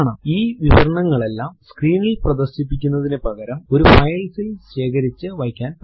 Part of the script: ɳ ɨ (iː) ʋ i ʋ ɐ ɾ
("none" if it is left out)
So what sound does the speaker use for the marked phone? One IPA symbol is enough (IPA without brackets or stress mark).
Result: iː